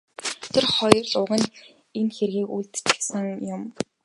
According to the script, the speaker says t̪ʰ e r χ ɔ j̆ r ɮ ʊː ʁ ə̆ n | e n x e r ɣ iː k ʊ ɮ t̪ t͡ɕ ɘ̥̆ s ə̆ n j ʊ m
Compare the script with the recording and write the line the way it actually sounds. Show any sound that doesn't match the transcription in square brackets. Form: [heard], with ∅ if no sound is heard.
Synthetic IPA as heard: t̪ʰ e r χ ɔ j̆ r ɮ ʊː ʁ ə̆ n | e n x e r ɣ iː k [u] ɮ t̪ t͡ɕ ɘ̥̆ s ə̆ [ŋ] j ʊ m